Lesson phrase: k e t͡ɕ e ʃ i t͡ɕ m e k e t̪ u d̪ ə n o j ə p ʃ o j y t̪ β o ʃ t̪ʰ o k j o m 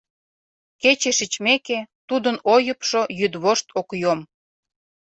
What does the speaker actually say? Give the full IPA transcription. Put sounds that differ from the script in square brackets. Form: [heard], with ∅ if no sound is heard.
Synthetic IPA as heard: k e t͡ɕ e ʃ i t͡ɕ m e k e t̪ u d̪ ə n o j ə p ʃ o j y [d̪] β o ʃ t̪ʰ o k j o m

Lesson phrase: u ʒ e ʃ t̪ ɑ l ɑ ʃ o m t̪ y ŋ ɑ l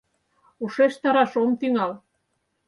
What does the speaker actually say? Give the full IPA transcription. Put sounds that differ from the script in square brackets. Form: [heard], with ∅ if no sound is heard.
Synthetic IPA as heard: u [ʃ] e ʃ t̪ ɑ [ɾ] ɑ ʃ o m t̪ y ŋ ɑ l

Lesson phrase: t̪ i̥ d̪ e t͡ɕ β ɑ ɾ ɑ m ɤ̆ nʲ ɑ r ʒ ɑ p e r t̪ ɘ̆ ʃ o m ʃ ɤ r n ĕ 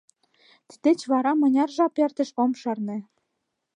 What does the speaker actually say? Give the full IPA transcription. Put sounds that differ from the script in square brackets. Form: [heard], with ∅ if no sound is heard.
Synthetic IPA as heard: t̪ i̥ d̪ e t͡ɕ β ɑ ɾ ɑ m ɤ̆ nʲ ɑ r ʒ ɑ p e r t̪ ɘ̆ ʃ o m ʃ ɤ r n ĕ

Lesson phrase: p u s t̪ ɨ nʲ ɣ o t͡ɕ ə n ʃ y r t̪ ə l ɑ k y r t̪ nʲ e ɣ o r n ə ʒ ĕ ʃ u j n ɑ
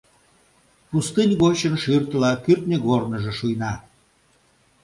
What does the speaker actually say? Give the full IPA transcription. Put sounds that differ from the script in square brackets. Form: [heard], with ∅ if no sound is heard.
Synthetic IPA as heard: p u s t̪ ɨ nʲ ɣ o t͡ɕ ə n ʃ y r t̪ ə l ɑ k y r t̪ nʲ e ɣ o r n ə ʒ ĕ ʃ u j n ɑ

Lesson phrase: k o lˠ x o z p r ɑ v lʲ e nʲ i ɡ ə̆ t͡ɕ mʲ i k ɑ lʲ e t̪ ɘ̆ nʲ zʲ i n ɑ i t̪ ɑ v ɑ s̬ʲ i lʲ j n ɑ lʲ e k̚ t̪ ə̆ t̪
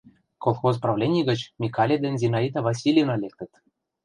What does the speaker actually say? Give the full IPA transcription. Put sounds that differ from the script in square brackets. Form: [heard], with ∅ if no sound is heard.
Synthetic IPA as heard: k o lˠ x o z p r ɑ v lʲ e nʲ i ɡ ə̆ t͡ɕ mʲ i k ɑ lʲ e [d̪] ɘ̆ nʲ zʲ i n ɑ i t̪ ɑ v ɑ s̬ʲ i lʲ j n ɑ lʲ e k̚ t̪ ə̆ t̪

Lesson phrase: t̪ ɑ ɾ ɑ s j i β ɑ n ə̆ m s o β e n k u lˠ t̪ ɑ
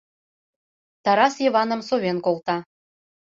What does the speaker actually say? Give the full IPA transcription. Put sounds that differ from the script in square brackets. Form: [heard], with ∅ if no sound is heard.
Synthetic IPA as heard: t̪ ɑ ɾ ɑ s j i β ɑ n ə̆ m s o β e n k [o] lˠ t̪ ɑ

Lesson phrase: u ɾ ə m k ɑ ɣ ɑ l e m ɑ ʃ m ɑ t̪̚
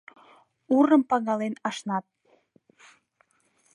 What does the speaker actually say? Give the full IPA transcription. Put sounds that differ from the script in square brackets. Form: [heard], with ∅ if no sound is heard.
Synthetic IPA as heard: u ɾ ə m [p] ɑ ɣ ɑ l e [n] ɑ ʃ [n] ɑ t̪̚

